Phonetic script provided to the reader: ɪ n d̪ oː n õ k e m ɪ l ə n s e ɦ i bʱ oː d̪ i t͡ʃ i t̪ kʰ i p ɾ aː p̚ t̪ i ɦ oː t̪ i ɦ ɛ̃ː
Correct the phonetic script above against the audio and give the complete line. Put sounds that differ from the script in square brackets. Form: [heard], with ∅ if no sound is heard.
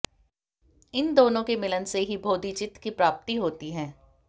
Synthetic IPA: ɪ n d̪ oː n õ k e m ɪ l ə n s e ɦ i bʱ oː d̪ i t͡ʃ [ɪ] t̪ [k] i p ɾ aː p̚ t̪ i ɦ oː t̪ i ɦ ɛ̃ː